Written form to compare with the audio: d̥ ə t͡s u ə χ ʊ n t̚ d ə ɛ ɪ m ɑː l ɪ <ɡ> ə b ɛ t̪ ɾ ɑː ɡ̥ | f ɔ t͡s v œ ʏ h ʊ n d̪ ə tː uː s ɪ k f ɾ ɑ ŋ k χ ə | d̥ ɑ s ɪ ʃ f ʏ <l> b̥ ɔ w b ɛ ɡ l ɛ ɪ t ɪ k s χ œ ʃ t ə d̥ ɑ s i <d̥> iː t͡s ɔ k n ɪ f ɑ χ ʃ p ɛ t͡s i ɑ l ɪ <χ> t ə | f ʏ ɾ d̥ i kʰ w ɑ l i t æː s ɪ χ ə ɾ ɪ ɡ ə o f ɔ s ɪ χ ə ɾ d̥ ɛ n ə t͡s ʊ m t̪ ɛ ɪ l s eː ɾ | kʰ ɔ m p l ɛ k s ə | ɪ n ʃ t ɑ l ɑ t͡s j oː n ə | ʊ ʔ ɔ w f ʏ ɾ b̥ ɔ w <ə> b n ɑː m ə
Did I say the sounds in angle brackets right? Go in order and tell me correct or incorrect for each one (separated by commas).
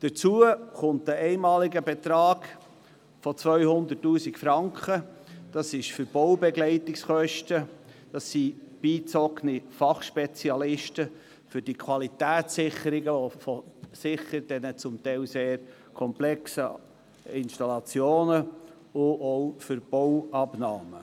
correct, incorrect, incorrect, incorrect, incorrect